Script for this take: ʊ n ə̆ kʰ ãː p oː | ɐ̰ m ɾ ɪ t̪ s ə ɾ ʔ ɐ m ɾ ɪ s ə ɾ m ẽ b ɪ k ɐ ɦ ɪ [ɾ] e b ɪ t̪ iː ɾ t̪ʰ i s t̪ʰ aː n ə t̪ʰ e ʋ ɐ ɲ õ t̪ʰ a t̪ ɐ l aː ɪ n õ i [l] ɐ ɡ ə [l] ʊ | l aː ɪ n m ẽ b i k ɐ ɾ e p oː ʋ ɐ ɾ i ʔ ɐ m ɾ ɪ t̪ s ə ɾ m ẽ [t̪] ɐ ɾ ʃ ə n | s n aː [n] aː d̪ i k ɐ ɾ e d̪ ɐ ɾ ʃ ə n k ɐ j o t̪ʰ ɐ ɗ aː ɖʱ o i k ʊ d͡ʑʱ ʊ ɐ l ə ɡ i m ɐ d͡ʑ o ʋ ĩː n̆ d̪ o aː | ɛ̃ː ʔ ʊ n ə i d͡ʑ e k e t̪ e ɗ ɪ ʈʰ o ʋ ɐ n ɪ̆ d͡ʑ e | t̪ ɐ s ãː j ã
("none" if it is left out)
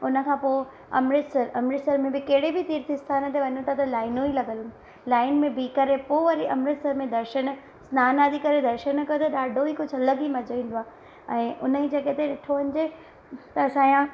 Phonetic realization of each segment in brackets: ɽ, l, l, d̪, n

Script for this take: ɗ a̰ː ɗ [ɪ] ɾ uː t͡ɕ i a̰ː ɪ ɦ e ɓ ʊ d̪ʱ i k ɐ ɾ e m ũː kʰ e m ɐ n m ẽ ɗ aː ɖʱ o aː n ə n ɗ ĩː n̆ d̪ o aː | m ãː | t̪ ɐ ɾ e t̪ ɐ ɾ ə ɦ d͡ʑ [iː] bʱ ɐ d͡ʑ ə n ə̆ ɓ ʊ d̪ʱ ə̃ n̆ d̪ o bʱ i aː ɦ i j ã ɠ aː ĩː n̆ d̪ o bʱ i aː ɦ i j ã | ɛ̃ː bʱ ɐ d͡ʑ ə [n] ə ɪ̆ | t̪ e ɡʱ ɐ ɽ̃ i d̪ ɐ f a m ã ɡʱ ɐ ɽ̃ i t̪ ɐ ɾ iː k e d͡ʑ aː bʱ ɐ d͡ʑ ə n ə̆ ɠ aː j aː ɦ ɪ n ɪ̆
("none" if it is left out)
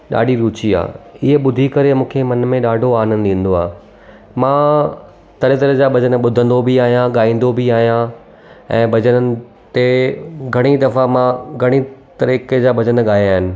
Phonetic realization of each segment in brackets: i, aː, n

